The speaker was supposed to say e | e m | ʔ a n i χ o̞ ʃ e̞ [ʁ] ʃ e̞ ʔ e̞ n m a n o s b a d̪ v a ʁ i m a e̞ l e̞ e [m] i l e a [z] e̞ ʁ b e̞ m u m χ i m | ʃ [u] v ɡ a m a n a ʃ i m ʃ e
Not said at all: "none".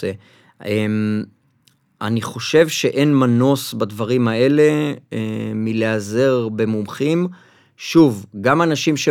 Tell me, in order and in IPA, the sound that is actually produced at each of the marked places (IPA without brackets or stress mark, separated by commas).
v, m, z, u